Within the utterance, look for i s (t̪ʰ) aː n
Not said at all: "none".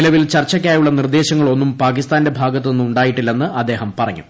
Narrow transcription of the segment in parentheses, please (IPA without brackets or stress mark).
t̪